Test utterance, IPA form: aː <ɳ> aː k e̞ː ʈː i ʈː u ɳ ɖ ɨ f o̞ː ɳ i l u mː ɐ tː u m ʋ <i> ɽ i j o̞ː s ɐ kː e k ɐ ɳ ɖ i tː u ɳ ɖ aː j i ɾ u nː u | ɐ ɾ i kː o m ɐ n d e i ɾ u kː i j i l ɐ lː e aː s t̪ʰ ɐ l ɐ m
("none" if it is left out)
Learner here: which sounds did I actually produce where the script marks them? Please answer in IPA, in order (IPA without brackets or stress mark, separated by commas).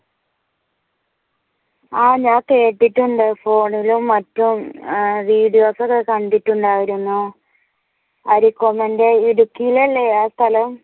ɲ, iː